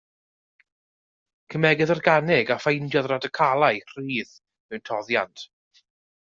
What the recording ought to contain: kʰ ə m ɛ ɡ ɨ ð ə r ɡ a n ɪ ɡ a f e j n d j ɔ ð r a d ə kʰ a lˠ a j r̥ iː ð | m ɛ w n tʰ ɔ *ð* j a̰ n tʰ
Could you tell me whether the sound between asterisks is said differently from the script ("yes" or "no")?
no